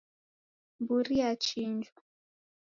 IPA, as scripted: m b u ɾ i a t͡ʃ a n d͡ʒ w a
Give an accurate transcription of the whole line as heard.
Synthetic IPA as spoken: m b u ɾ i a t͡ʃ i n d͡ʒ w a